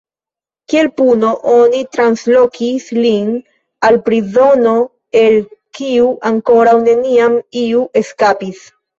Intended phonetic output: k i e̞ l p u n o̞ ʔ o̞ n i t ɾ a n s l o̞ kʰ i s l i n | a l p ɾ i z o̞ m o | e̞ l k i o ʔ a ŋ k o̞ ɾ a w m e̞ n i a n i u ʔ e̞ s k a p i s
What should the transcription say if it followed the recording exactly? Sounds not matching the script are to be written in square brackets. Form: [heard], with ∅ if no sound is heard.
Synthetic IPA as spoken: k i e̞ l p u n o̞ ʔ o̞ n i t ɾ a n s l o̞ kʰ i s l i n | a l p ɾ i z o̞ [n] o | e̞ l k i [u] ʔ a ŋ k o̞ ɾ a w [n] e̞ n i a [m] i u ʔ e̞ s k a p i s